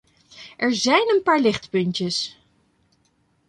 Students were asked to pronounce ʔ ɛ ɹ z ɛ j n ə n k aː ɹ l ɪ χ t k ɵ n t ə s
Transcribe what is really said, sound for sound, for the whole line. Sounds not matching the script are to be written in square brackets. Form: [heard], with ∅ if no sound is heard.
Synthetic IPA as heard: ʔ ɛ ɹ z ɛ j n ə n [p] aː ɹ l ɪ χ t [p] ɵ n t ə s